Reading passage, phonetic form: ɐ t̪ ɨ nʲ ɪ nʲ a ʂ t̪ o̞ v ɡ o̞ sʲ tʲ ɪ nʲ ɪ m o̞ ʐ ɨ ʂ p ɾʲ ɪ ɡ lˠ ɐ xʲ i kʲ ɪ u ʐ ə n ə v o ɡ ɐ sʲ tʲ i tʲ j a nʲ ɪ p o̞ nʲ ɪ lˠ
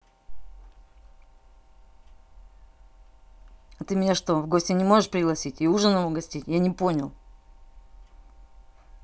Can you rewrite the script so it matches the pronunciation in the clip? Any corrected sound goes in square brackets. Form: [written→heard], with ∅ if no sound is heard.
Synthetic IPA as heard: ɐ t̪ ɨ [nʲ→mʲ] ɪ nʲ a ʂ t̪ o̞ v ɡ o̞ sʲ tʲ ɪ nʲ ɪ m o̞ ʐ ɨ ʂ p ɾʲ ɪ ɡ lˠ ɐ [xʲ→sʲ] i [kʲ→tʲ] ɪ u ʐ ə n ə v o ɡ ɐ sʲ tʲ i tʲ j a nʲ ɪ p o̞ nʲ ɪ lˠ